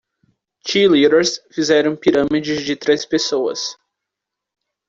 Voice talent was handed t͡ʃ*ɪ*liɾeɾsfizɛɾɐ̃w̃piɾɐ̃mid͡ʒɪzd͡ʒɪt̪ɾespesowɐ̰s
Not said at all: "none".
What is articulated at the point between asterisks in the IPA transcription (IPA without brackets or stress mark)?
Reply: i